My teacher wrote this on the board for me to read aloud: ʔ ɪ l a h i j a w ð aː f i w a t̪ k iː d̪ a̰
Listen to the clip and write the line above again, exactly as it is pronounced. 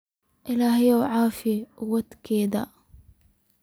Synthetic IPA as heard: ʔ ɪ l a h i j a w ʕ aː f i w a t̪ k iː d̪ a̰